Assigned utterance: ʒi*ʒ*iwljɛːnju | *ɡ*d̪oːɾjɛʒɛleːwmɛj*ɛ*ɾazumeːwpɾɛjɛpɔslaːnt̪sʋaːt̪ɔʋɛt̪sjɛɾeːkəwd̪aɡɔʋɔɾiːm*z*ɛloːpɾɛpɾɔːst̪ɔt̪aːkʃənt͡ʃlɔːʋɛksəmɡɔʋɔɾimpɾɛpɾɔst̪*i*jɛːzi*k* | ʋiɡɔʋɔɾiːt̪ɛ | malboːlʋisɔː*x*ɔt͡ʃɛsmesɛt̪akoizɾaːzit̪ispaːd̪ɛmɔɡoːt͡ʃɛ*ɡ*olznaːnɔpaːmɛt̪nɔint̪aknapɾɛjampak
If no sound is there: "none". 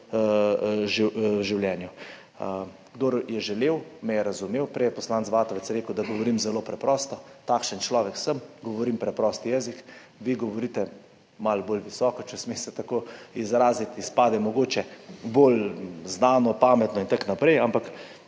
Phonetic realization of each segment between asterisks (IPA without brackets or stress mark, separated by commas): ʒ, ɡ, ɛ, z, i, k, k, b